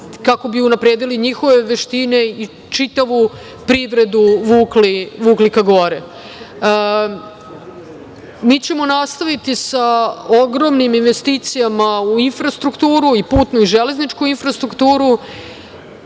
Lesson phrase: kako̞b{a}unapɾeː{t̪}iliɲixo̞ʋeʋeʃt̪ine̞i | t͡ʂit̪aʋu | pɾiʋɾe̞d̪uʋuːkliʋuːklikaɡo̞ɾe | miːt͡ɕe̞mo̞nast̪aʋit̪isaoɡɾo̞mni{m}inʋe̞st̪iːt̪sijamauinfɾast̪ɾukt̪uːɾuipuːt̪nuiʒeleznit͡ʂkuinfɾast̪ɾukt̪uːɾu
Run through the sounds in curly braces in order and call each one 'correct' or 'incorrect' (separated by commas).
incorrect, incorrect, correct